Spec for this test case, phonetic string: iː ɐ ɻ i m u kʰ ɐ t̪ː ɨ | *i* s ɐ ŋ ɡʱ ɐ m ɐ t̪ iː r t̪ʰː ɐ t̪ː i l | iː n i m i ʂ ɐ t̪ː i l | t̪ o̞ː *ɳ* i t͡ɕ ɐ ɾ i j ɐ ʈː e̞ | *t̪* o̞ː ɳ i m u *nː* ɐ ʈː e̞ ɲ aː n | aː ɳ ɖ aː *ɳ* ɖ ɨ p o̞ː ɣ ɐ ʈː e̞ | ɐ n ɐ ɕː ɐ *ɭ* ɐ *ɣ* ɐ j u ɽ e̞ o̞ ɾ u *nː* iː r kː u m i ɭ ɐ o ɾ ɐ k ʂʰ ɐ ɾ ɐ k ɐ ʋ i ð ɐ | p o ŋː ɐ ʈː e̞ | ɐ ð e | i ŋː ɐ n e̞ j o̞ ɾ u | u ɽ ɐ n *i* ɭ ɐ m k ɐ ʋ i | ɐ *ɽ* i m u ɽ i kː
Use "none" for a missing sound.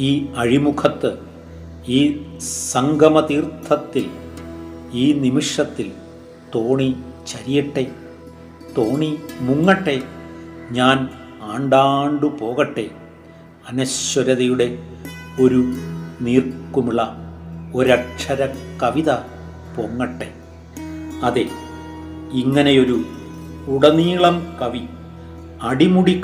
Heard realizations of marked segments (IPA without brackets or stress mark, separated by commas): iː, ɳ, t̪, ŋː, ɳ, ɾ, ð, n, iː, ɽ